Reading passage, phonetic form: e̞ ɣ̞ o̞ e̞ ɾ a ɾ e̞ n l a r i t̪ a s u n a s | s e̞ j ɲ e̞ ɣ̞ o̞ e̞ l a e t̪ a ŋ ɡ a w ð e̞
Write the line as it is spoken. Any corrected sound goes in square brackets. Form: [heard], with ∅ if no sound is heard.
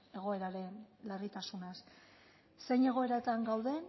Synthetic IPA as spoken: e̞ ɣ̞ o̞ e̞ ɾ a ɾ e̞ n l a r i t̪ a s u n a s | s e̞ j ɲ e̞ ɣ̞ o̞ e̞ [ɾ] a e t̪ a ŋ ɡ a w ð e̞